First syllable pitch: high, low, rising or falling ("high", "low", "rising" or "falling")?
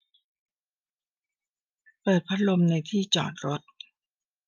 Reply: low